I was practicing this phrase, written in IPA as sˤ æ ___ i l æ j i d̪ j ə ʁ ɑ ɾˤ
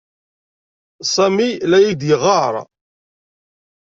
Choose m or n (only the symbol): m